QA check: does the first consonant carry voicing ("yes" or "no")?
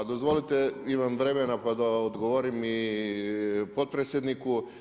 yes